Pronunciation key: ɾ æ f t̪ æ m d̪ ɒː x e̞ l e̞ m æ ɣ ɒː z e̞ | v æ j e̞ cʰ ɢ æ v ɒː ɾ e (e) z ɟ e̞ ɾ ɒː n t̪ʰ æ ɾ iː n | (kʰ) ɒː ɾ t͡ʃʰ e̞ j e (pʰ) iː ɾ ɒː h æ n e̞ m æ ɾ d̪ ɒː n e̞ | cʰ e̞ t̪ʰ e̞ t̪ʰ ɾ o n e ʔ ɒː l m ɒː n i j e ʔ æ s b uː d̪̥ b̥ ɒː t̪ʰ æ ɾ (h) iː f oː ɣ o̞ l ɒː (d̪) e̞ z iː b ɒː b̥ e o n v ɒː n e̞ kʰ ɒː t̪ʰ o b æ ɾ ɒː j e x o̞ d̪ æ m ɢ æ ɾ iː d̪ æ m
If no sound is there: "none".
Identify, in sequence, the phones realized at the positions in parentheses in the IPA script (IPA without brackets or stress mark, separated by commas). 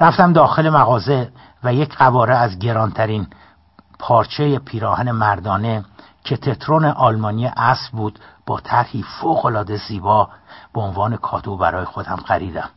æ, pʰ, pʰ, h, d̪